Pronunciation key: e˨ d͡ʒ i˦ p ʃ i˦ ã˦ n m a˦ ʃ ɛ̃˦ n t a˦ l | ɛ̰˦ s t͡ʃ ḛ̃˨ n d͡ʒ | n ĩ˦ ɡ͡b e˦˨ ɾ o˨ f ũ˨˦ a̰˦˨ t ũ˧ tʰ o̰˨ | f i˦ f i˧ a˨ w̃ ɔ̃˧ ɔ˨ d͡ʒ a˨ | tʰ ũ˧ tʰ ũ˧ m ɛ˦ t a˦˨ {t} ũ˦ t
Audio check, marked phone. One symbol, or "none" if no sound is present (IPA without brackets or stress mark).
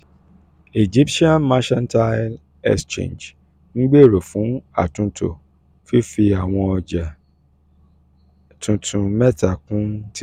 k